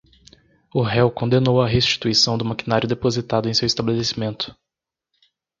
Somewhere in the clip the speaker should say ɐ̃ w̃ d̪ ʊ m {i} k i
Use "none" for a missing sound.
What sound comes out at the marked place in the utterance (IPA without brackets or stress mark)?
a